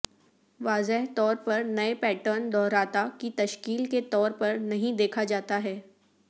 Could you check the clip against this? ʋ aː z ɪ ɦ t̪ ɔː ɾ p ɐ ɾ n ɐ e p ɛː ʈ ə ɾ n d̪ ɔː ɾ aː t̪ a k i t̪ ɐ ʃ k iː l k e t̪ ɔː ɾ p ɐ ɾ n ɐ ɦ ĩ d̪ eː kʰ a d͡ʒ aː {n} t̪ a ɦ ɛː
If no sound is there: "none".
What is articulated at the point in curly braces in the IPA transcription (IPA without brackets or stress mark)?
none